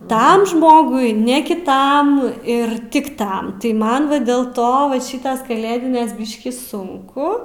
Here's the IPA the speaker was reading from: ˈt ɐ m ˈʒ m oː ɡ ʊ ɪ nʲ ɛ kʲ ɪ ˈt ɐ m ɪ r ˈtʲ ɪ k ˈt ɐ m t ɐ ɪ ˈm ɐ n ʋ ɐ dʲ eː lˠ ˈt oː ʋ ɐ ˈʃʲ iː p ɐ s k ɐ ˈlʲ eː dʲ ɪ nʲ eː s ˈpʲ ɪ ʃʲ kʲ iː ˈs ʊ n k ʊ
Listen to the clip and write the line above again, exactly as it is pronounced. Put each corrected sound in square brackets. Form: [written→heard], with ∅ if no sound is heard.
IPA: ˈt ɐ m ˈʒ m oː ɡ ʊ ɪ nʲ ɛ kʲ ɪ ˈt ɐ m ɪ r ˈtʲ ɪ k ˈt ɐ m t ɐ ɪ ˈm ɐ n ʋ ɐ dʲ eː lˠ ˈt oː ʋ ɐ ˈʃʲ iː [p→t] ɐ s k ɐ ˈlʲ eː dʲ ɪ nʲ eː s [ˈpʲ→ˈbʲ] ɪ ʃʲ kʲ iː ˈs ʊ [n→ŋ] k ʊ